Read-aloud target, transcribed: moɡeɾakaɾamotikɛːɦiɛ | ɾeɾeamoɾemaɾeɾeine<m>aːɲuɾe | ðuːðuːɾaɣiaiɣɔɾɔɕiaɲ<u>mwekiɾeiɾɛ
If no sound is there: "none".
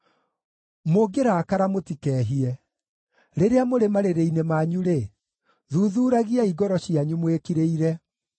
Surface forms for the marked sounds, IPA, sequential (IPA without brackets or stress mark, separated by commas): m, u